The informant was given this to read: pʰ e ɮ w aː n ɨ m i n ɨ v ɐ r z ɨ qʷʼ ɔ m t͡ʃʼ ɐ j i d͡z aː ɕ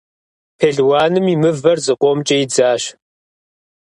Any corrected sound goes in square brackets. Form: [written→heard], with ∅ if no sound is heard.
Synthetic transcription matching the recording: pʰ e ɮ w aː n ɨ m i [n→m] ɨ v ɐ r z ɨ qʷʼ ɔ m t͡ʃʼ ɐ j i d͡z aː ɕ